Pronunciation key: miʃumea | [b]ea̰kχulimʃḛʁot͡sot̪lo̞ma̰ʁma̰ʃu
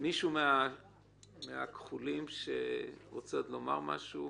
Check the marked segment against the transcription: incorrect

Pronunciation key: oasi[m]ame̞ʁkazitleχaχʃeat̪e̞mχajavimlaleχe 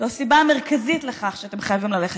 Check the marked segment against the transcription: incorrect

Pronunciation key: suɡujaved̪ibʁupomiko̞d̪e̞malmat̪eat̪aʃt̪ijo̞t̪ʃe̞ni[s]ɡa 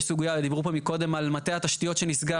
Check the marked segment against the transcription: correct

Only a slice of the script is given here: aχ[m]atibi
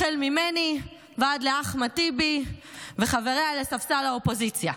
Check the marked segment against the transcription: correct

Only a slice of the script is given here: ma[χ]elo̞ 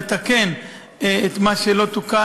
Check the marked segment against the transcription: incorrect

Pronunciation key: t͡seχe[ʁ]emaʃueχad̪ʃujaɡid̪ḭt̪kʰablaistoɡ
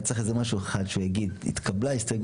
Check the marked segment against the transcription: incorrect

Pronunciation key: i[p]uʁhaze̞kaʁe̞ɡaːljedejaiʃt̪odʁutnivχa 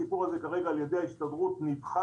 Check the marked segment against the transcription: correct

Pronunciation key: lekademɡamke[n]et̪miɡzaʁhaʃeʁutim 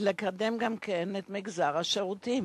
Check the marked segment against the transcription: correct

